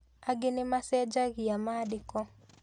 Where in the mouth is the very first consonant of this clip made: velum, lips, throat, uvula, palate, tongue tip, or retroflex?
velum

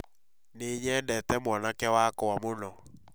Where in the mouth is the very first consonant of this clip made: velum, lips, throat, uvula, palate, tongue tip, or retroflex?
tongue tip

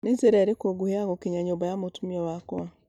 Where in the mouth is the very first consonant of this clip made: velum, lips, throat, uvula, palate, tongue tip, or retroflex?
tongue tip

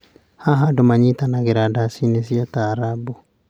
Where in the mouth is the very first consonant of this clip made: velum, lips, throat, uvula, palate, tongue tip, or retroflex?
throat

